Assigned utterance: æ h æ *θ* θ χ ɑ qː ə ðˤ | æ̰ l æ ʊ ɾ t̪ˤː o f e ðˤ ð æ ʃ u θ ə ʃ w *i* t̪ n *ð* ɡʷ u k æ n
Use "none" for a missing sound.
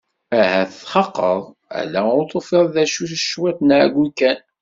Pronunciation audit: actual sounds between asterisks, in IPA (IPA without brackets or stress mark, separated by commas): θ, æ, ʕ